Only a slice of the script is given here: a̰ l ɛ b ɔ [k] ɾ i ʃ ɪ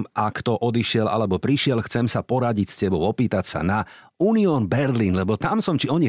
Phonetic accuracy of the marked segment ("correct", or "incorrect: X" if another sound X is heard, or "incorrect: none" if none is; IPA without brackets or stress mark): incorrect: p